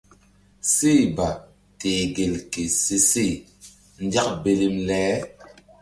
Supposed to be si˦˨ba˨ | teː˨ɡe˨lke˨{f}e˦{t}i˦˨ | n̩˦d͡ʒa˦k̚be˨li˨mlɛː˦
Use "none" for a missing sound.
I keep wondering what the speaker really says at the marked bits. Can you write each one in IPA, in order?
s, s

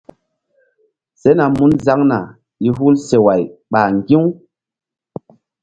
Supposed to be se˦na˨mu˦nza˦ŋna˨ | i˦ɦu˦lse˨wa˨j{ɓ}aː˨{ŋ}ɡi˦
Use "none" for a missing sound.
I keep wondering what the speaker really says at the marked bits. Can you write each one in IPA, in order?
ɓ, ŋ

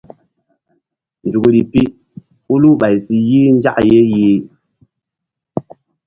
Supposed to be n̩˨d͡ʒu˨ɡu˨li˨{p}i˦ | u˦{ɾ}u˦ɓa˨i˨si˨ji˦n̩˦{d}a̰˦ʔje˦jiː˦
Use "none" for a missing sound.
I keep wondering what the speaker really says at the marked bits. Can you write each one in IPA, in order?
p, l, d͡ʒ

